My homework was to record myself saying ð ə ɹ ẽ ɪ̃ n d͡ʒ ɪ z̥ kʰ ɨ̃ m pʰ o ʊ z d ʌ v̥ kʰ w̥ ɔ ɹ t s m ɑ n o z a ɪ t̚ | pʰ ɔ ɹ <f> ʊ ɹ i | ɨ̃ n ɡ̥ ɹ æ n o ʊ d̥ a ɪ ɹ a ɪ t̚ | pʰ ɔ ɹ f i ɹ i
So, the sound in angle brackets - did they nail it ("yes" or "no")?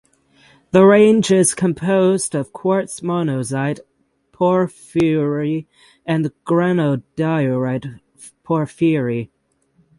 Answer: yes